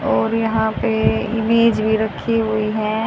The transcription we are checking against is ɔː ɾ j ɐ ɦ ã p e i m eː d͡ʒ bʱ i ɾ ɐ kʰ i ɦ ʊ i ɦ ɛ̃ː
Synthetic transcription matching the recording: ɔː ɾ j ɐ ɦ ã p e ɪ m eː d͡ʒ bʱ i ɾ ɐ kʰ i ɦ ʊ i ɦ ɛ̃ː